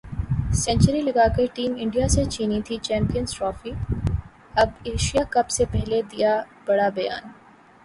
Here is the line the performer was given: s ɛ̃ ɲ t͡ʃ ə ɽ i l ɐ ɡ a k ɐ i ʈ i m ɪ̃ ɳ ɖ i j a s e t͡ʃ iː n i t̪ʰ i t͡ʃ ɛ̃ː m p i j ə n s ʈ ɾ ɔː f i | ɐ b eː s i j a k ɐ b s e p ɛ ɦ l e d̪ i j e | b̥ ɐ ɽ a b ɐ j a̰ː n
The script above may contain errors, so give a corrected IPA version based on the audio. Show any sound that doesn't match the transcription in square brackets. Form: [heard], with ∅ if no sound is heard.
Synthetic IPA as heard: s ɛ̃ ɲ t͡ʃ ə [ɾ] i l ɐ ɡ a k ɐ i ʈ [iː] m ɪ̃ ɳ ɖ i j a s e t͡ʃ iː n i t̪ʰ i t͡ʃ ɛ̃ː m p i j ə n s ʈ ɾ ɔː f i | ɐ b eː [ʃ] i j a k ɐ b s e p ɛ ɦ l e d̪ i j [a] | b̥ ɐ ɽ a b ɐ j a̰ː n